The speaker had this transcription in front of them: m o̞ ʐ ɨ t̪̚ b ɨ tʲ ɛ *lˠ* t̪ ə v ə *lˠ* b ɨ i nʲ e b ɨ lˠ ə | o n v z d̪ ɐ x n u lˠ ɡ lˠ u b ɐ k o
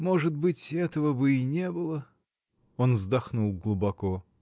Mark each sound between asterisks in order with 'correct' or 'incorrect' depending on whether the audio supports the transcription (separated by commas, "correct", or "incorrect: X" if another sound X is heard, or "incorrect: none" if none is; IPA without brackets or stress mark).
incorrect: none, incorrect: none